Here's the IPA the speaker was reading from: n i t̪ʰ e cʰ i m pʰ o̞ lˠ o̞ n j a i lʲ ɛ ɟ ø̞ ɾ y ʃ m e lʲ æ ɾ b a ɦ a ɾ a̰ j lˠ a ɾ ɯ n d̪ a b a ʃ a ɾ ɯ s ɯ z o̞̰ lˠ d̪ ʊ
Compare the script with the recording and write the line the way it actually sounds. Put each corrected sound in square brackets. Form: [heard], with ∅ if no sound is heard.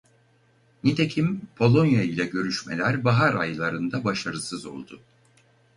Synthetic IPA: n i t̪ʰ e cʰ i m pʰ o̞ lˠ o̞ n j a i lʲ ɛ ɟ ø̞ ɾ y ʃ m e lʲ æ ɾ b a ɦ a ɾ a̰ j lˠ a ɾ ɯ n d̪ a b a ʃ a ɾ ɯ s ɯ z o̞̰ lˠ d̪ ʊ